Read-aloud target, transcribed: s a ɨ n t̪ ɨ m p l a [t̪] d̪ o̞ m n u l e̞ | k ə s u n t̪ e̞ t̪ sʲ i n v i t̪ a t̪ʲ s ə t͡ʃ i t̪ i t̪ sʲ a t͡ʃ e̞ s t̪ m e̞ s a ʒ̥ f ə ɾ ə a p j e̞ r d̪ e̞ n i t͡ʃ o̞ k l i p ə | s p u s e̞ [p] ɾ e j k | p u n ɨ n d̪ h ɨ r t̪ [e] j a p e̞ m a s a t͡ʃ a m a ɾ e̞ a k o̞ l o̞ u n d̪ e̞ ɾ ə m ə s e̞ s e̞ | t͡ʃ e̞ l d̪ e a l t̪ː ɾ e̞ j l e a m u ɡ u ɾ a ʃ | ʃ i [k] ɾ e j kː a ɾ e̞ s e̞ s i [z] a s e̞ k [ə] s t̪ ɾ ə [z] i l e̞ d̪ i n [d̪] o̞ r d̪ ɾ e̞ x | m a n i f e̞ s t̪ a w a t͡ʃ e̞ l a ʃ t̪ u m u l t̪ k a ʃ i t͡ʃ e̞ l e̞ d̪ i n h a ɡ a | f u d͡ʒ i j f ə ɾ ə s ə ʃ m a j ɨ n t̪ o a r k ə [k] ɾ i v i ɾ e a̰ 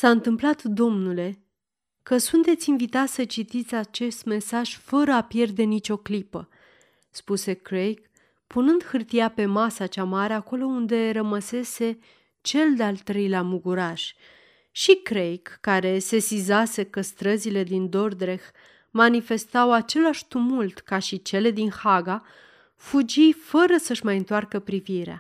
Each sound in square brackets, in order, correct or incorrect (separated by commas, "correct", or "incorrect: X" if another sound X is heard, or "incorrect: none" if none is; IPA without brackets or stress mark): correct, incorrect: k, incorrect: i, correct, correct, correct, correct, correct, incorrect: p